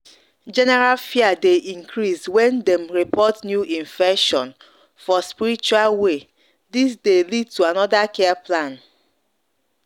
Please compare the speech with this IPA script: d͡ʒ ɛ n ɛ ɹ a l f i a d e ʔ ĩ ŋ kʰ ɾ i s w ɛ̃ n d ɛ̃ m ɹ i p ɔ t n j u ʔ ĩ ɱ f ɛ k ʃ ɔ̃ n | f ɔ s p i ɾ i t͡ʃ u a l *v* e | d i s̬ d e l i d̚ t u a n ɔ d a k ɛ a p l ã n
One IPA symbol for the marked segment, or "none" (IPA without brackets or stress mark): w